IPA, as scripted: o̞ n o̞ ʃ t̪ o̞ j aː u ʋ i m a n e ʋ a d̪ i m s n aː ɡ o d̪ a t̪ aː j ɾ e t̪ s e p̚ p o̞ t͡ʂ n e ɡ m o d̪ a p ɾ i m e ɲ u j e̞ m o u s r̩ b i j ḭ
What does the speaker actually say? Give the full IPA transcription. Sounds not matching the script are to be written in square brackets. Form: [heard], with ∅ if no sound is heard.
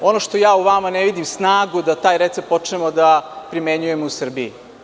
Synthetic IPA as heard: o̞ n o̞ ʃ t̪ o̞ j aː u ʋ [a] m a n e ʋ [i] d̪ i m s n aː ɡ [u] d̪ a t̪ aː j ɾ e t̪ s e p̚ p o̞ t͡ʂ n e [∅] m o d̪ a p ɾ i m e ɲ u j e̞ m o u s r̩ b i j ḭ